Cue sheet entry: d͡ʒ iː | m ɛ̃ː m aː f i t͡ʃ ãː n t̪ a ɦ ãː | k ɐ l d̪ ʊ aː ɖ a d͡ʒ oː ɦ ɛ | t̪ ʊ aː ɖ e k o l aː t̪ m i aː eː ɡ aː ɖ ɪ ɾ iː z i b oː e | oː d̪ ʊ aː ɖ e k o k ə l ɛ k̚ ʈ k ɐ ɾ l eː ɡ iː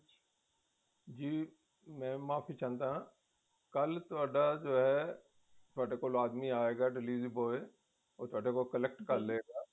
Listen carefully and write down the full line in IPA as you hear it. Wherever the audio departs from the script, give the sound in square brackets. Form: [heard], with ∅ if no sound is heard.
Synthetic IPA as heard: d͡ʒ iː | m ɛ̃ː m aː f i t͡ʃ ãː n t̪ a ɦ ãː | k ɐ l [t̪] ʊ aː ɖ a d͡ʒ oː ɦ ɛ | t̪ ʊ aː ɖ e k o l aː [d̪] m i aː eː ɡ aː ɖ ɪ [l] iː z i b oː e | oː [t̪] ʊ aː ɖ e k o k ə l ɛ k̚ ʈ k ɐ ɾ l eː ɡ [aː]